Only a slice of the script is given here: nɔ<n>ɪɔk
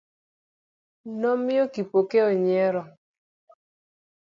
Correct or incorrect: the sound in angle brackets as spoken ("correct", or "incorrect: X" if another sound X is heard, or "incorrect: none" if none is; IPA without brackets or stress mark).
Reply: incorrect: m